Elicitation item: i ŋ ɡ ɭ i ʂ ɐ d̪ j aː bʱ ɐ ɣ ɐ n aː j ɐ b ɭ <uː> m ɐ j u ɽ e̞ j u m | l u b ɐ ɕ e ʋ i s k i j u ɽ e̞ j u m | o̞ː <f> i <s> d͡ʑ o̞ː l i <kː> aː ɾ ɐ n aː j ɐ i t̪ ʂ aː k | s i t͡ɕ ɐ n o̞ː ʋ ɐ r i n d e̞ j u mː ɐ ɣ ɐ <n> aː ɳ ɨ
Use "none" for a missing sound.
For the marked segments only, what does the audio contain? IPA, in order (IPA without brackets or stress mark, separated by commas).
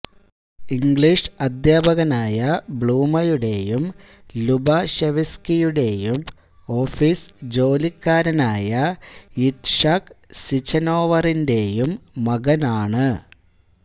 uː, f, s, kː, n